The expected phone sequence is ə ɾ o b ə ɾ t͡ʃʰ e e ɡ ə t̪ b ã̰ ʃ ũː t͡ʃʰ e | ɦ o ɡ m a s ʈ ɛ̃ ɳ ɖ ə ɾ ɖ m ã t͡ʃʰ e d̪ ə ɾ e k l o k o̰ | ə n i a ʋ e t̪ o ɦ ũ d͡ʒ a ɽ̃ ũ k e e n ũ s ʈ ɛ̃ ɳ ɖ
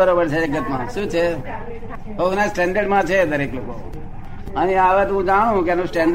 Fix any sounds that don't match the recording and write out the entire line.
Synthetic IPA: ə ɾ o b ə ɾ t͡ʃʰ e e ɡ ə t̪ m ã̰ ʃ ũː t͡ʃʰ e | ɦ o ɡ n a s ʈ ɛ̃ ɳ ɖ ə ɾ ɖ m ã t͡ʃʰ e d̪ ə ɾ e k l o k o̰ | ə n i a ʋ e t̪ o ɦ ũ d͡ʒ a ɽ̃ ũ k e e n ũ s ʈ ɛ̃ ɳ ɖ